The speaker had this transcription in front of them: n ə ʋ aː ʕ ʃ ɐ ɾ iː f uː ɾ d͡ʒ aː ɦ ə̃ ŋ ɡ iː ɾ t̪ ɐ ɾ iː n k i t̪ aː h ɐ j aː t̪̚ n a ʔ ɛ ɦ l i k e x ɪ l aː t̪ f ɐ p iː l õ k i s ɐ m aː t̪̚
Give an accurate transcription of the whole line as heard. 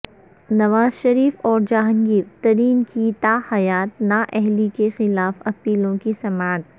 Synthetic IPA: n ɐ ʋ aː z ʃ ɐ ɾ iː f ɔː ɾ d͡ʒ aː ɦ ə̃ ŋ ɡ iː ɾ t̪ ɐ ɾ iː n k i t̪ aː h ɐ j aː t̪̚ n a ʔ ɛ ɦ l i k e x ɪ l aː f ɐ p iː l õ k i s ɐ m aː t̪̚